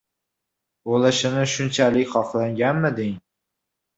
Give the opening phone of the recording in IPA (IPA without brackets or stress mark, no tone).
o